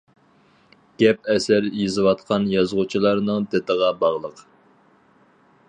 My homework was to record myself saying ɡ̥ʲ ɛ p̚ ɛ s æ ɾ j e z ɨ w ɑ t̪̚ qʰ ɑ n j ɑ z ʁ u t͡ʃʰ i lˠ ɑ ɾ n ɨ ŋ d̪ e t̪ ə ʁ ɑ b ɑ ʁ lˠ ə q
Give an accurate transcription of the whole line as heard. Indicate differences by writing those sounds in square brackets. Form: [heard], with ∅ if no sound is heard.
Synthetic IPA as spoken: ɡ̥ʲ ɛ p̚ ɛ s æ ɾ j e z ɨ w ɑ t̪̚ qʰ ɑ n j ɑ z ʁ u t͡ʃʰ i lˠ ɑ ɾ n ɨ ŋ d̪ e t̪ ə ʁ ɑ b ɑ ʁ lˠ ə q